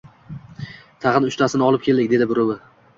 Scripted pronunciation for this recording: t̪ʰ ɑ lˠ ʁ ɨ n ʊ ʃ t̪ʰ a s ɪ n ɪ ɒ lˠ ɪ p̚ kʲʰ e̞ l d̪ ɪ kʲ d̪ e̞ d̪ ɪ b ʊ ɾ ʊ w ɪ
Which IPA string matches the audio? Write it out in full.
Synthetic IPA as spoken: t̪ʰ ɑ ʁ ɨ n ʊ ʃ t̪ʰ a s ɪ n ɪ ɒ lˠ ɪ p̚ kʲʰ e̞ l d̪ ɪ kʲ d̪ e̞ d̪ ɪ b ʊ ɾ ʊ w ɪ